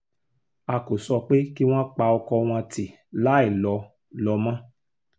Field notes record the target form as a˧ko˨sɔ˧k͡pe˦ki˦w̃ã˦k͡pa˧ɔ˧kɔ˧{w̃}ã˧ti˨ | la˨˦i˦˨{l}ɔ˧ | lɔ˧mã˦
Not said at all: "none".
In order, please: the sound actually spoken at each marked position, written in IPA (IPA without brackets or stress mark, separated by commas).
w̃, l